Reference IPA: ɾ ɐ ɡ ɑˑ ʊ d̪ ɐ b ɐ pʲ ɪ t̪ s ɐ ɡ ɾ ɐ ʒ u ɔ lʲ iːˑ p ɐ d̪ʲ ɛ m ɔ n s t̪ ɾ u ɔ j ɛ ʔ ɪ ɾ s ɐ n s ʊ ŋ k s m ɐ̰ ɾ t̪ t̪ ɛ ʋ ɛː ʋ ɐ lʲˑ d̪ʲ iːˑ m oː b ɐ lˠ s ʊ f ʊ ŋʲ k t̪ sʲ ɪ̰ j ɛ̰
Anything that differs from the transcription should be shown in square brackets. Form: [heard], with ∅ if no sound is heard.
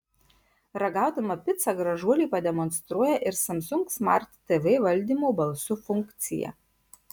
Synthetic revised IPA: ɾ ɐ ɡ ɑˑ ʊ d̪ ɐ [m] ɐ pʲ ɪ t̪ s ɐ ɡ ɾ ɐ ʒ u ɔ lʲ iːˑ p ɐ d̪ʲ ɛ m ɔ n s t̪ ɾ u ɔ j ɛ ʔ ɪ ɾ s ɐ [m] s ʊ ŋ k s m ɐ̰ ɾ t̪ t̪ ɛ ʋ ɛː ʋ ɐ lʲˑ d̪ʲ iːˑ m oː b ɐ lˠ s ʊ f ʊ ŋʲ k t̪ sʲ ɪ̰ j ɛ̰